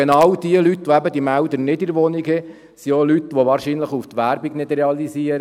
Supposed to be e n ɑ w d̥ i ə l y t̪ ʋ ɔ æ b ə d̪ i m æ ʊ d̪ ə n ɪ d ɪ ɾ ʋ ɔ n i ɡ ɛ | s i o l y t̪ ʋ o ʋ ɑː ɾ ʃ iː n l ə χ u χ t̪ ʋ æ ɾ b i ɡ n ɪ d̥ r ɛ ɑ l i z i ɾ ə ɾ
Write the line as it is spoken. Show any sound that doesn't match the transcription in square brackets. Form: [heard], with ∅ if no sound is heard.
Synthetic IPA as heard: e n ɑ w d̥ i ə l y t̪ ʋ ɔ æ b ə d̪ i m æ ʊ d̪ ə n ɪ d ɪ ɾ ʋ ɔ n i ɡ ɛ | s i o l y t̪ ʋ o ʋ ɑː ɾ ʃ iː n l ə χ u [f] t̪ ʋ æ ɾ b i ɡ n ɪ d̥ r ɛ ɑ l i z i [∅] ə ɾ